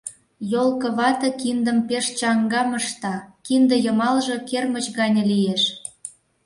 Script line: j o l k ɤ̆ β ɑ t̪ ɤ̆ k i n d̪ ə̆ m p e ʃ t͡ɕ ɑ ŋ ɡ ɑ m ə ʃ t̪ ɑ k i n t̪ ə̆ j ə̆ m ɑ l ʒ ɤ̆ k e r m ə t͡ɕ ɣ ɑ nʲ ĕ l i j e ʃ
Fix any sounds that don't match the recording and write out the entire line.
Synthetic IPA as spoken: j o l k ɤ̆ β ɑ t̪ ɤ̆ k i n d̪ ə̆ m p e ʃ t͡ɕ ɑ ŋ ɡ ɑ m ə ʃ t̪ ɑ k i n d̪ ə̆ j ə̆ m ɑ l ʒ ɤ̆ k e r m ə t͡ɕ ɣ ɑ nʲ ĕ l i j e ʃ